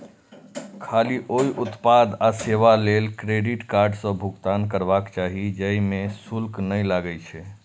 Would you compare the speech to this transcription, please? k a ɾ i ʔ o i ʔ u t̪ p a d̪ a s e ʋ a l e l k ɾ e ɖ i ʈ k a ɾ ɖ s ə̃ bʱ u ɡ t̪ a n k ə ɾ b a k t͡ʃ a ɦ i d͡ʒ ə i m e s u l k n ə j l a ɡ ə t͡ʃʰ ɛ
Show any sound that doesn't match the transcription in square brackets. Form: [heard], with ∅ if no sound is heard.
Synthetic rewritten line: [kʰ] a [l] i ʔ o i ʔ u t̪ p a d̪ a s e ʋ a l e l k ɾ e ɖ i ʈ k a ɾ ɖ s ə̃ bʱ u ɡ t̪ a n k ə ɾ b a k t͡ʃ a ɦ i d͡ʒ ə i m e s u l k n ə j l a ɡ ə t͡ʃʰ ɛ

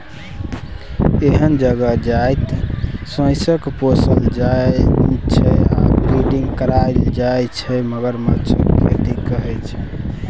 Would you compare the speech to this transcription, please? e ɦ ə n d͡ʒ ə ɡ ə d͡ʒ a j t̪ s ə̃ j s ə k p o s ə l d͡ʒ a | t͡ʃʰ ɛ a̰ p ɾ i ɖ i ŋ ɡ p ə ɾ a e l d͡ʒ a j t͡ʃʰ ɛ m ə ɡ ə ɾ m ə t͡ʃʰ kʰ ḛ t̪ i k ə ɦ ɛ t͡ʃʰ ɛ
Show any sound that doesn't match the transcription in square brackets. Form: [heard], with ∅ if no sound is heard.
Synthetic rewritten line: e ɦ ə n d͡ʒ ə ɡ ə d͡ʒ a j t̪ s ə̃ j s ə k p o s ə l d͡ʒ a | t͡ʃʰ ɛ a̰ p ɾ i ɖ i ŋ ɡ [k] ə ɾ a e l d͡ʒ a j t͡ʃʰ ɛ m ə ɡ ə ɾ m ə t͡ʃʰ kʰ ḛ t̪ i k ə ɦ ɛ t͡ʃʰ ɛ

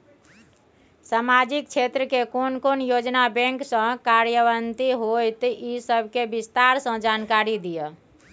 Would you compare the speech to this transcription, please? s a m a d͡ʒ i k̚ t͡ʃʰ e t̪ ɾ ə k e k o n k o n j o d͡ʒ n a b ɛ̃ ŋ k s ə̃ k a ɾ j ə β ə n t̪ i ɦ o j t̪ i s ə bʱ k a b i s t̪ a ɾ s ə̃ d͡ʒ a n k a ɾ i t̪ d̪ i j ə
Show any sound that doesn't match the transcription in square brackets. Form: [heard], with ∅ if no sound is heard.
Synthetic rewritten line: s a m a d͡ʒ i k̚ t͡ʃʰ e t̪ ɾ ə k e k o n k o n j o d͡ʒ n a b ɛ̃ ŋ k s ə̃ k a ɾ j ə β ə n t̪ i ɦ o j t̪ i s ə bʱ k [e] b i s t̪ a ɾ s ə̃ d͡ʒ a n k a ɾ i [∅] d̪ i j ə

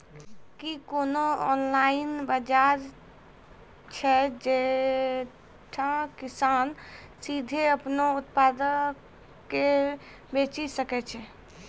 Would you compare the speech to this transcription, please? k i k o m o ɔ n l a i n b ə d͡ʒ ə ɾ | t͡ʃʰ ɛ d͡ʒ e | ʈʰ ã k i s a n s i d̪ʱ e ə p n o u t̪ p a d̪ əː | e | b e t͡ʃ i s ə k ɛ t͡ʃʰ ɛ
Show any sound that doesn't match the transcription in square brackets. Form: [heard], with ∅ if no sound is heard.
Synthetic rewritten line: k i k o [n] o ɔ n l a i n b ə d͡ʒ [a] ɾ | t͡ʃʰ ɛ d͡ʒ e | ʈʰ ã k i s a n s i d̪ʱ e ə p n o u t̪ p a d̪ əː | e | b e t͡ʃ i s ə k ɛ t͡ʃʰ ɛ

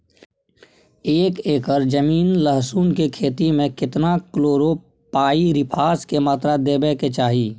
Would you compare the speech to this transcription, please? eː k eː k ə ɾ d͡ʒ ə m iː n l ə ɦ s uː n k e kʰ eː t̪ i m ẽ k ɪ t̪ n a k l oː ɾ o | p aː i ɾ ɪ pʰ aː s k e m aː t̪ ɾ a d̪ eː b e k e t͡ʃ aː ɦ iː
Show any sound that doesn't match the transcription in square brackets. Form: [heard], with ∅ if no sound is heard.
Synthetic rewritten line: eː k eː k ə ɾ d͡ʒ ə m iː n l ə ɦ s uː n k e kʰ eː t̪ i m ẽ k ɪ t̪ n a k l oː ɾ o | p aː i ɾ ɪ pʰ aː s k e m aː t̪ ɾ a d̪ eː b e k e t͡ʃ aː ɦ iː

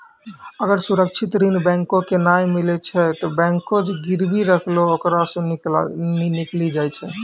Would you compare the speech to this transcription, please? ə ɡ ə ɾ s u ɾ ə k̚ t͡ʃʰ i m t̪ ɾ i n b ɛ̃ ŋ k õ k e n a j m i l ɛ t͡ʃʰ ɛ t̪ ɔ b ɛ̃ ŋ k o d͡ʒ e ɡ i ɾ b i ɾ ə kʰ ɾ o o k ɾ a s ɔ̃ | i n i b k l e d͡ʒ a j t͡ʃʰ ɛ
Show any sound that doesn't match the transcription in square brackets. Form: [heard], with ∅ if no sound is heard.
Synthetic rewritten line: ə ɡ ə ɾ s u ɾ ə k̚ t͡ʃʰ i [∅] t̪ ɾ i n b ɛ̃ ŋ k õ k e n a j m i l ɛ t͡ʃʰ ɛ t̪ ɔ b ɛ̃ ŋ k o d͡ʒ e ɡ i ɾ b i ɾ ə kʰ [l] o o k ɾ a s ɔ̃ | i n i [∅] k l [i] d͡ʒ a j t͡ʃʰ ɛ

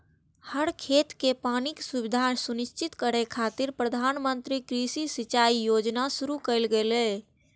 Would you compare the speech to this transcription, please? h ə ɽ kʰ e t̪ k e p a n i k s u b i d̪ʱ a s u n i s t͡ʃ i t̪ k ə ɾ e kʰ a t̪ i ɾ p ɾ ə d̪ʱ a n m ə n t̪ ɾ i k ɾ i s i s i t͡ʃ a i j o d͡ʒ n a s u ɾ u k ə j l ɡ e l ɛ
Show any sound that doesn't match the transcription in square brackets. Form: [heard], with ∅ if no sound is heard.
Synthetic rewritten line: h ə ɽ kʰ e t̪ k e p a n i k s u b i d̪ʱ a s u n i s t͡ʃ i t̪ k ə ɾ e kʰ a t̪ i ɾ p ɾ ə d̪ʱ a n m ə n t̪ ɾ i k ɾ i s i s i t͡ʃ a i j o d͡ʒ n a s u ɾ u k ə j l ɡ e l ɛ

